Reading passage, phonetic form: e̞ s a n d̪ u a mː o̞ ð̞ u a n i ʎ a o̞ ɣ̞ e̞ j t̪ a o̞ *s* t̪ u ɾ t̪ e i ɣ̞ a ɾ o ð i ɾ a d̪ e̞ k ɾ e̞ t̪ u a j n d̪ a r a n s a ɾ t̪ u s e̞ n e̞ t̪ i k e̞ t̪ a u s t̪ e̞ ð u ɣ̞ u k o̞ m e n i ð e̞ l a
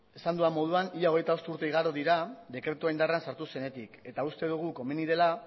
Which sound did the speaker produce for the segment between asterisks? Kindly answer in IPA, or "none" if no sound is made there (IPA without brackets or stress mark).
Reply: s